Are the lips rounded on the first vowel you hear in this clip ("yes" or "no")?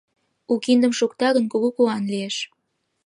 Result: yes